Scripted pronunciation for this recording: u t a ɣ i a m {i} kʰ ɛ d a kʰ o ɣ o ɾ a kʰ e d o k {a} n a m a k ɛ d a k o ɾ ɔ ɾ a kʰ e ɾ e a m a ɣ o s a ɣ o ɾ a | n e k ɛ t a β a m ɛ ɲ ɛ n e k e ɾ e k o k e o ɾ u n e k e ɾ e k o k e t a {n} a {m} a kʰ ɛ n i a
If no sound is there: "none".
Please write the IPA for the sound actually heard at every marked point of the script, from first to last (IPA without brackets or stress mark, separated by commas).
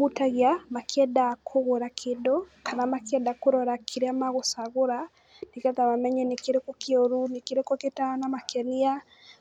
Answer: a, a, n, m